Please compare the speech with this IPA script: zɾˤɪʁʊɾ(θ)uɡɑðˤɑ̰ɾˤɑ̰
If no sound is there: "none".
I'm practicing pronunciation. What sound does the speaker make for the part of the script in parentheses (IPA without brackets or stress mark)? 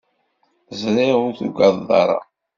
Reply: θ